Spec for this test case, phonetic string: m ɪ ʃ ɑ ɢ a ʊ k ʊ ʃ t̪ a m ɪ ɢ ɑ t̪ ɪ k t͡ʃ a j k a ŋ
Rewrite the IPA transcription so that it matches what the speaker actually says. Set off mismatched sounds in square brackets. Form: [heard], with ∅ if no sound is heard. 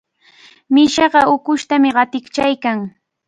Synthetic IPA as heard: m ɪ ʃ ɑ ɢ [ɑ] ʊ k ʊ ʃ t̪ a m ɪ ɢ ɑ t̪ ɪ k t͡ʃ a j k a ŋ